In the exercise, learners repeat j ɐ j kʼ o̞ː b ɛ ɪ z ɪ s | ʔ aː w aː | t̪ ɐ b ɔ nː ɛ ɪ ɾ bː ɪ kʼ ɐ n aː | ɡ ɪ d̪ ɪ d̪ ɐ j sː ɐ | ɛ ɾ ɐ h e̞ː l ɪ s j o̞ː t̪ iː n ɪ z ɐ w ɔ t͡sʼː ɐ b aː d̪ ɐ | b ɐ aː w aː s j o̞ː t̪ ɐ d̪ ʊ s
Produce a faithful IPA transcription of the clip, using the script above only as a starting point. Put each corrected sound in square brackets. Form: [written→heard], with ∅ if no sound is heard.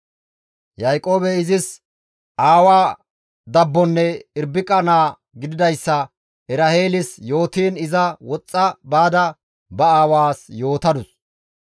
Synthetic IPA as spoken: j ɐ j kʼ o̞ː b ɛ ɪ z ɪ s | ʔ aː w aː | [t̪→d̪] ɐ [b→bː] ɔ nː ɛ ɪ ɾ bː ɪ kʼ ɐ n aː | ɡ ɪ d̪ ɪ d̪ ɐ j sː ɐ | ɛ ɾ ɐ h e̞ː l ɪ s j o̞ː t̪ iː n ɪ z ɐ w ɔ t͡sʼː ɐ b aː d̪ ɐ | b ɐ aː w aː s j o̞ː t̪ ɐ d̪ ʊ s

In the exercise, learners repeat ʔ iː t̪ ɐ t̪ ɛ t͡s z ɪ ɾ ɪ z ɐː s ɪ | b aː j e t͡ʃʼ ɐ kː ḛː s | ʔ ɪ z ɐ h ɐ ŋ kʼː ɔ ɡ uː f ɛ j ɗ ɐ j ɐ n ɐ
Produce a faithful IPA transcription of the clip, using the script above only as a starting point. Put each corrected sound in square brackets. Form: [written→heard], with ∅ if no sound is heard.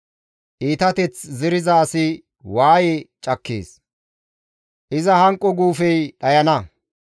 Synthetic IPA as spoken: ʔ iː t̪ ɐ t̪ ɛ t͡s z ɪ ɾ ɪ z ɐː s ɪ | [b→w] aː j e t͡ʃʼ ɐ kː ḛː s | ʔ ɪ z ɐ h ɐ ŋ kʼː ɔ ɡ uː f ɛ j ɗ ɐ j ɐ n ɐ

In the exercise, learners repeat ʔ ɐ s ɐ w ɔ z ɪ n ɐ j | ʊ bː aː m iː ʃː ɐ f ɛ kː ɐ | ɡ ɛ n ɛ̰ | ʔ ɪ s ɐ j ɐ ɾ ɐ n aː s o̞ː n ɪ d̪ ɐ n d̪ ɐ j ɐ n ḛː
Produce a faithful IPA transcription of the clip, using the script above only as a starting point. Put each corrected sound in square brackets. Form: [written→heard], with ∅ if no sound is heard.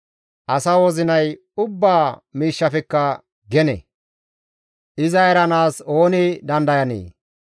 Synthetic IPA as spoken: ʔ ɐ s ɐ w ɔ z ɪ n ɐ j | ʊ bː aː m iː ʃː ɐ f ɛ kː ɐ | ɡ ɛ n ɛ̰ | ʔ ɪ [s→z] ɐ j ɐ ɾ ɐ n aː s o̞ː n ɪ d̪ ɐ n d̪ ɐ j ɐ n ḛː

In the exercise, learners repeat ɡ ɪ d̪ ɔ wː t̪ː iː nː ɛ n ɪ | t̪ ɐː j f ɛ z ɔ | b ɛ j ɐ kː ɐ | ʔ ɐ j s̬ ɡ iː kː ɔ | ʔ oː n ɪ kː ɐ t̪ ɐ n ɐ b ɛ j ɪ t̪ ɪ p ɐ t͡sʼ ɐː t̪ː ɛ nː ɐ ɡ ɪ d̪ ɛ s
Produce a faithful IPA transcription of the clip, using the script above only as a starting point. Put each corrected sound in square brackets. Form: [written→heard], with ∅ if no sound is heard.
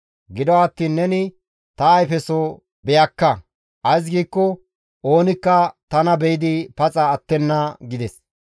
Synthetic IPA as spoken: ɡ ɪ d̪ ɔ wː t̪ː iː nː ɛ n ɪ | t̪ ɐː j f ɛ [z→s] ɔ | b ɛ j ɐ kː ɐ | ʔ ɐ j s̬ ɡ iː kː ɔ | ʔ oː n ɪ kː ɐ t̪ ɐ n ɐ b ɛ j ɪ [t̪→d̪] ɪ p ɐ t͡sʼ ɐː t̪ː ɛ nː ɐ ɡ ɪ d̪ ɛ s

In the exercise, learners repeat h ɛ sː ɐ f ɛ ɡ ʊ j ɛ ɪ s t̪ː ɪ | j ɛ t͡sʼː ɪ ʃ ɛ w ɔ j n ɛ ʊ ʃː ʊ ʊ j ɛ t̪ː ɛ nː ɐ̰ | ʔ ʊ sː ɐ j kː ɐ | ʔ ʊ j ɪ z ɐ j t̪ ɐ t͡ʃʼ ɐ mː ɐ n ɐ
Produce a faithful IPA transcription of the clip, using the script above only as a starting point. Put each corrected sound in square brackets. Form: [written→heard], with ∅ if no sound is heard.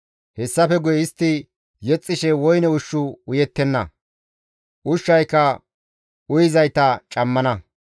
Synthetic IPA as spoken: h ɛ sː ɐ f ɛ ɡ ʊ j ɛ ɪ s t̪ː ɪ | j ɛ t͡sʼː ɪ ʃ ɛ w ɔ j n ɛ ʊ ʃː ʊ ʊ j ɛ t̪ː ɛ nː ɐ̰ | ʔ ʊ [sː→ʃː] ɐ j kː ɐ | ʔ ʊ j ɪ z ɐ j t̪ ɐ t͡ʃʼ ɐ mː ɐ n ɐ

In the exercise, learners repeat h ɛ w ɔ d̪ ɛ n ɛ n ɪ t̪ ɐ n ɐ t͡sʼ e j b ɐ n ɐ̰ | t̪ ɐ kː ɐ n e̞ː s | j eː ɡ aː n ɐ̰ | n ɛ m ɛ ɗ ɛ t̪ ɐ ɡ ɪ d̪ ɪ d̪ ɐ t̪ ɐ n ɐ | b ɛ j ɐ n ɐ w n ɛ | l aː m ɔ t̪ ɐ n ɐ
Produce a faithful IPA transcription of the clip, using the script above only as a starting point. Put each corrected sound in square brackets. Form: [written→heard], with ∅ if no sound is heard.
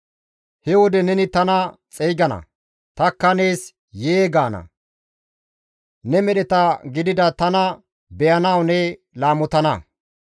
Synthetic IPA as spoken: h ɛ w ɔ d̪ ɛ n ɛ n ɪ t̪ ɐ n ɐ t͡sʼ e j [b→ɡ] ɐ n ɐ̰ | t̪ ɐ kː ɐ n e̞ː s | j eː ɡ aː n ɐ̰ | n ɛ m ɛ ɗ ɛ t̪ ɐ ɡ ɪ d̪ ɪ d̪ ɐ t̪ ɐ n ɐ | b ɛ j ɐ n ɐ w n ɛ | l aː m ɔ t̪ ɐ n ɐ

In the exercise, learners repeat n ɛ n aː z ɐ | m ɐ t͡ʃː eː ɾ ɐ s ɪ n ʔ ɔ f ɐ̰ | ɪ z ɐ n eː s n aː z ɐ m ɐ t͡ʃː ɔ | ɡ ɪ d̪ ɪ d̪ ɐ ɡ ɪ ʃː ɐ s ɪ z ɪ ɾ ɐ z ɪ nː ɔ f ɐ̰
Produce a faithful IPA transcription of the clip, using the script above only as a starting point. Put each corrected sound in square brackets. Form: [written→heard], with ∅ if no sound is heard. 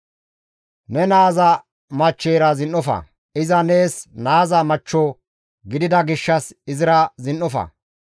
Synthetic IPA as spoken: n ɛ n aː z ɐ | m ɐ t͡ʃː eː ɾ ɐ [s→z] ɪ n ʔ ɔ f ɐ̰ | ɪ z ɐ n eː s n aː z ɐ m ɐ t͡ʃː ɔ | ɡ ɪ d̪ ɪ d̪ ɐ ɡ ɪ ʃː ɐ s ɪ z ɪ ɾ ɐ z ɪ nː ɔ f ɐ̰

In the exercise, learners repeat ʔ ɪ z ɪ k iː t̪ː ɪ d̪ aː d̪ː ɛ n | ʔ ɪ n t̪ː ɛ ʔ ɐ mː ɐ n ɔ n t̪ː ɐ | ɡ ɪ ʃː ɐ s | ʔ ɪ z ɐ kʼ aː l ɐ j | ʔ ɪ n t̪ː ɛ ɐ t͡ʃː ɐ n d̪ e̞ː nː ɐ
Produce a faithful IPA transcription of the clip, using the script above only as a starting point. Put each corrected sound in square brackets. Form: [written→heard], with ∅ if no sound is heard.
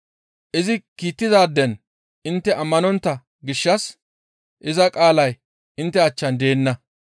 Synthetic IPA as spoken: ʔ ɪ z ɪ k iː t̪ː ɪ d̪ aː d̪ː ɛ n | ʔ ɪ n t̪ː ɛ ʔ ɐ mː ɐ n ɔ n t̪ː ɐ | ɡ ɪ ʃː ɐ s | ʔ ɪ z ɐ kʼ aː l ɐ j | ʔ ɪ n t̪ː ɛ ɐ t͡ʃː ɐ n d̪ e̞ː nː ɐ

